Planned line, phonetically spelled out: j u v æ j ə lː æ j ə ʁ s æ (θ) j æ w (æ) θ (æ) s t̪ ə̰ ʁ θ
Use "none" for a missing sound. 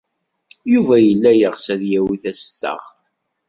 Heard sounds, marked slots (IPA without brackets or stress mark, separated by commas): ð, i, æ